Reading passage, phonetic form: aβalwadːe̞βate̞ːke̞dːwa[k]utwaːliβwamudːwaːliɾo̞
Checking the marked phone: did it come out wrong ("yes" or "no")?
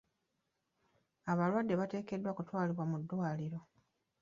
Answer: no